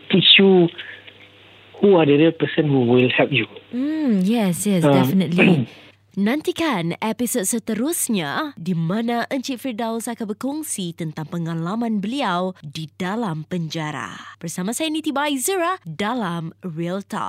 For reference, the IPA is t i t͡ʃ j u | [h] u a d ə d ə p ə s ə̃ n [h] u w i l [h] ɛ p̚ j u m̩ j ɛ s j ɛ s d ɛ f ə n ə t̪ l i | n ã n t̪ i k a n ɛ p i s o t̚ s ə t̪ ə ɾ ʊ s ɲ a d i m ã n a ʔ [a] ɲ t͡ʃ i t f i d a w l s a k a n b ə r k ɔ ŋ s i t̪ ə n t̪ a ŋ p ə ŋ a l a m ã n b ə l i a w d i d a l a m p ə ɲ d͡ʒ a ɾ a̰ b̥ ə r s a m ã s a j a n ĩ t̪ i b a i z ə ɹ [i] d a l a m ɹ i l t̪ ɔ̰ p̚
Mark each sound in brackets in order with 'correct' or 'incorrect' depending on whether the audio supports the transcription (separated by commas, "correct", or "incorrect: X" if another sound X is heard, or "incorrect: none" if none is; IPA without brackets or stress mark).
correct, correct, correct, incorrect: ə, incorrect: a